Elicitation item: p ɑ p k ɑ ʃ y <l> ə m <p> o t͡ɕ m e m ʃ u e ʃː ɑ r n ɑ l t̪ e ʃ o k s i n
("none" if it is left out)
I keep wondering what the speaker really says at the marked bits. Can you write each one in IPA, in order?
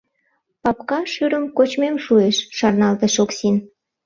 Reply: ɾ, k

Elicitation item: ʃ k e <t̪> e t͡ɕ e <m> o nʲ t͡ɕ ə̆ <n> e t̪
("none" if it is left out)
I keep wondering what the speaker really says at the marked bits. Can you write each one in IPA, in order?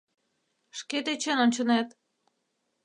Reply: t̪, n, n

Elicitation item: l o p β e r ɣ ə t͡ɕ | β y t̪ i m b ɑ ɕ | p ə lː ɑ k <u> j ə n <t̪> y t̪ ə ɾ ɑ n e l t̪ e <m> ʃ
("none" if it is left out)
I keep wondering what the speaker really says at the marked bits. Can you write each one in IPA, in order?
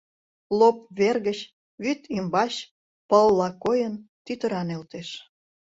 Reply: o, t̪, none

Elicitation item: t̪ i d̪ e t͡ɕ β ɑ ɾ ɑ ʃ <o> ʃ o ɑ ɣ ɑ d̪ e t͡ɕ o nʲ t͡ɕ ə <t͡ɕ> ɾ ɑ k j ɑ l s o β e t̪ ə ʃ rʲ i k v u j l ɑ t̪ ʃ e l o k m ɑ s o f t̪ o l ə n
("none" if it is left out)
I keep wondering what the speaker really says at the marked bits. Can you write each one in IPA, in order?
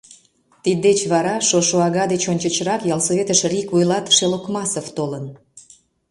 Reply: o, t͡ɕ

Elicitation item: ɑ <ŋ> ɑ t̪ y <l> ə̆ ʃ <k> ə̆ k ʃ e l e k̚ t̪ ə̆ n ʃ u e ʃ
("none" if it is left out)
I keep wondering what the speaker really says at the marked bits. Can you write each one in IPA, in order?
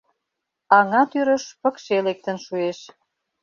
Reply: ŋ, ɾ, p

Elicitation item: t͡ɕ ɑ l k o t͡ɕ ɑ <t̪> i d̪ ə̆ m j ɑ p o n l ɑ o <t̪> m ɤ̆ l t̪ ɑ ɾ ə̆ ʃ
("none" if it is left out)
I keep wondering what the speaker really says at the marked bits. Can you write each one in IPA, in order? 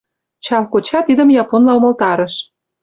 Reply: t̪, none

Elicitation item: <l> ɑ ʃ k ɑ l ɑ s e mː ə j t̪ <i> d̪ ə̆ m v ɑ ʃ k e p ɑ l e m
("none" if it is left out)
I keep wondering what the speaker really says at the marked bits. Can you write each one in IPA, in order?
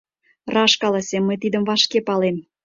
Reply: r, i

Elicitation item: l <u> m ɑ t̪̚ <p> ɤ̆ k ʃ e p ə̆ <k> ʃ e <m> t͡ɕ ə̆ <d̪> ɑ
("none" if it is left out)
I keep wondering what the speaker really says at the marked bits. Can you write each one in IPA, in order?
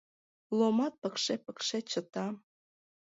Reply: o, p, k, none, t̪

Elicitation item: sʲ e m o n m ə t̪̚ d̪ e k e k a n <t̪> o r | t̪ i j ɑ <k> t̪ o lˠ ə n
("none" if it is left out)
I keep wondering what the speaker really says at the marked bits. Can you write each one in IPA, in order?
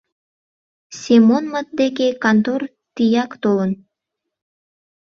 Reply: t̪, k

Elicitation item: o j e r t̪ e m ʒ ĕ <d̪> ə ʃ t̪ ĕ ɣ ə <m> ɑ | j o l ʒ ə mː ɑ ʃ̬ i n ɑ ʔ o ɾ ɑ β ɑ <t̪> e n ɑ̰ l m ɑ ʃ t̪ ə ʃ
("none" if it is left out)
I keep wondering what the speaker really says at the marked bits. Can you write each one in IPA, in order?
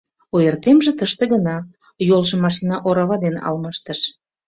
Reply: t̪, n, d̪

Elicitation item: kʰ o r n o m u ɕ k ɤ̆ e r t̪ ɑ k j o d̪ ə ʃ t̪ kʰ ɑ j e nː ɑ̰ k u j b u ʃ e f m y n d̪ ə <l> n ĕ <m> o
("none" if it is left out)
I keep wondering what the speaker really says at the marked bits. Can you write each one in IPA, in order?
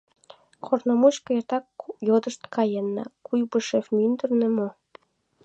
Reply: r, m

